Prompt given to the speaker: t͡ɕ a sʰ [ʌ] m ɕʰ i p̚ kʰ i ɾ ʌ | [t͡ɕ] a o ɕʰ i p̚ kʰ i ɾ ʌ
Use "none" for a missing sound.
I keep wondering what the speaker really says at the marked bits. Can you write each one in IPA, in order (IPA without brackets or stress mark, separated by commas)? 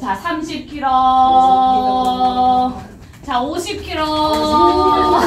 a, t͡ɕ